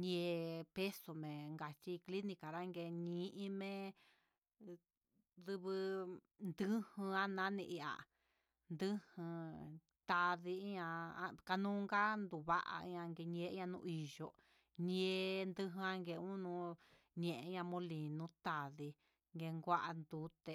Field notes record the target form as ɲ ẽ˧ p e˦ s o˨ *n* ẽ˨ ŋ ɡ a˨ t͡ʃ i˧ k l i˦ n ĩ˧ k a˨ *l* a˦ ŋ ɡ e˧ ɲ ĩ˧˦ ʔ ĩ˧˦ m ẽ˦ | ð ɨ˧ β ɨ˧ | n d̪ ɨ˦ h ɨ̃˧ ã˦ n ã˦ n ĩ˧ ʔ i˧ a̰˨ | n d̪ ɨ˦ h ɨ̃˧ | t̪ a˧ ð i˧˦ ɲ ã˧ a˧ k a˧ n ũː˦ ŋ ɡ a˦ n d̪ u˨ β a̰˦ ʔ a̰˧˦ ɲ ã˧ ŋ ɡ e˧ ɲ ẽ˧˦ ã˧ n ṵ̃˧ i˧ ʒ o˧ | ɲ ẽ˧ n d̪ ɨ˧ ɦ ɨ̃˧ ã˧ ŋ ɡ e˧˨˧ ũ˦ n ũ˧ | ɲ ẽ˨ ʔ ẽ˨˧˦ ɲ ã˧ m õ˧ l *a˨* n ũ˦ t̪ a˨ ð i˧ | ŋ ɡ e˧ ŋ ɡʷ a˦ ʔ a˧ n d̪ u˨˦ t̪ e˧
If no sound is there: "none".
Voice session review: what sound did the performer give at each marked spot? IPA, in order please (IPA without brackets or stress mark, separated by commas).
m, ɾ, i˨